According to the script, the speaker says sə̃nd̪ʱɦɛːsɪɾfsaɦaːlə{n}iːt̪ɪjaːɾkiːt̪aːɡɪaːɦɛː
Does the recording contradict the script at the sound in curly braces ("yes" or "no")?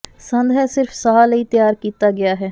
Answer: yes